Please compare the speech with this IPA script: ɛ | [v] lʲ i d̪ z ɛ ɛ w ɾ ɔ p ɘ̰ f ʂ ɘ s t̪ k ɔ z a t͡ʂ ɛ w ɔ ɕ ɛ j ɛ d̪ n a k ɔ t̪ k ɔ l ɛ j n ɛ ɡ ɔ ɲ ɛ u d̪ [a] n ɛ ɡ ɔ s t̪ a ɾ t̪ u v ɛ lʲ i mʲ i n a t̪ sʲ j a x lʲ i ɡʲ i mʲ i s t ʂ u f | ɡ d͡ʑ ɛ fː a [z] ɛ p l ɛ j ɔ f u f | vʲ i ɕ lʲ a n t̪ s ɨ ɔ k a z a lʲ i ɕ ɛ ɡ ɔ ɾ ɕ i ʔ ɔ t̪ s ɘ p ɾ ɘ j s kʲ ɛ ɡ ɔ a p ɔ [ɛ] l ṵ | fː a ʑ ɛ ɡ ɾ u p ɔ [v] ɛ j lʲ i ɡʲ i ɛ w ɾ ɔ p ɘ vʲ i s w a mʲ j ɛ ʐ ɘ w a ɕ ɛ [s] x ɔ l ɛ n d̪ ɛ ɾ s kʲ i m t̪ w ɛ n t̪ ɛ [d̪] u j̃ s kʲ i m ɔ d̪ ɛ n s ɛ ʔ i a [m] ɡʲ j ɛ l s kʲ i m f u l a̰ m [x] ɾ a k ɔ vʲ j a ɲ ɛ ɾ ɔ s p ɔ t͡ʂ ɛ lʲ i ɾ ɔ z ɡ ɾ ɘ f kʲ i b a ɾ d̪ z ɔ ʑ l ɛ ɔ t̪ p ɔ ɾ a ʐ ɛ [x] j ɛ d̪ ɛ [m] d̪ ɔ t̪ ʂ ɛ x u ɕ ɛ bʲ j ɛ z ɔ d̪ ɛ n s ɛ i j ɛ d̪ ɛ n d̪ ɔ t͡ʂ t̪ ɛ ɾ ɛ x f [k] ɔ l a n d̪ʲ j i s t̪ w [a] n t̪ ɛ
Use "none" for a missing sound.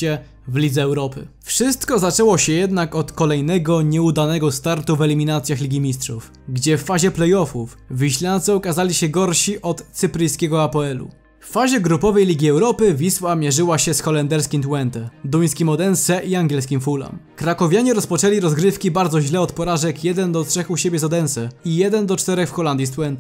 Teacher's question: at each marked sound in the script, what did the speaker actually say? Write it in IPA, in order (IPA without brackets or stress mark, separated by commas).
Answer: v, a, ʑ, ɛ, v, s, d̪, ŋ, k, k, n, x, ɛ